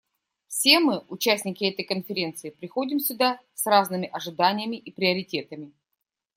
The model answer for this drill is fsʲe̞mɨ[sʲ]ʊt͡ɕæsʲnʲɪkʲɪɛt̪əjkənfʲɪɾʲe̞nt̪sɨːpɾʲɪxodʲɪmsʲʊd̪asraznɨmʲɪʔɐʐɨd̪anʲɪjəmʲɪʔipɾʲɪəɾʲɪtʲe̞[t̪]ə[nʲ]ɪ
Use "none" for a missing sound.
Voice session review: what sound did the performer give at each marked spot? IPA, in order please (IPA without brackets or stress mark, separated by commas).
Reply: none, t̪, mʲ